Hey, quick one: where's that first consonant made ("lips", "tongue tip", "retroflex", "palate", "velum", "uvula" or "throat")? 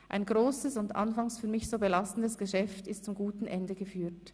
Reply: throat